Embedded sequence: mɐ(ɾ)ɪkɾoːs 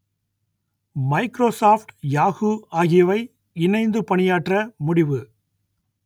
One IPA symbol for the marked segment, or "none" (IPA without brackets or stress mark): none